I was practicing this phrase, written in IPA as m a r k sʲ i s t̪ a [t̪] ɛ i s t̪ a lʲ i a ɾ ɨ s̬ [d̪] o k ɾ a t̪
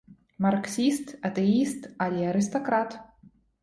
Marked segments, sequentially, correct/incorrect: correct, incorrect: t̪

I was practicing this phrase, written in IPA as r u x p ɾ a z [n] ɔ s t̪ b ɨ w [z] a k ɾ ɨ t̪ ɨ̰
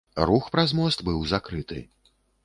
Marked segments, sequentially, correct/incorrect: incorrect: m, correct

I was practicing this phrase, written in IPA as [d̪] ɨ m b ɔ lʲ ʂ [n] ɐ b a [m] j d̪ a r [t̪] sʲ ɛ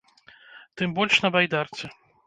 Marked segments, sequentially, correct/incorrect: incorrect: t̪, correct, incorrect: none, correct

